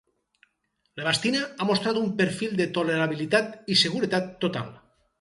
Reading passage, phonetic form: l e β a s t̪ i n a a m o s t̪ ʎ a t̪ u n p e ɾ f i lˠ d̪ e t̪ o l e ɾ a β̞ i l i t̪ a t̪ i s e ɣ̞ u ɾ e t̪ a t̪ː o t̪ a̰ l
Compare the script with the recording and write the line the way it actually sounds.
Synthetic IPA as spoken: l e β a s t̪ i n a a m o s t̪ ɾ a t̪ u m p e ɾ f i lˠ d̪ e t̪ o l e ɾ a β̞ i l i t̪ a t̪ i s e ɣ̞ u ɾ e t̪ a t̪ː o t̪ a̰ l